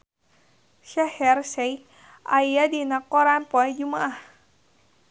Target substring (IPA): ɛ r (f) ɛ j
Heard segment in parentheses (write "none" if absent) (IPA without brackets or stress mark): s